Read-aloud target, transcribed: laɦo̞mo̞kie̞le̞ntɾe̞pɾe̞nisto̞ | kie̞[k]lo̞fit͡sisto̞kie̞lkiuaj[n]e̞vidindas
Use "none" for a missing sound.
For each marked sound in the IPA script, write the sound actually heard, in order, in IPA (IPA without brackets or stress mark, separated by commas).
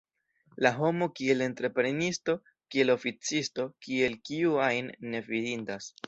none, nː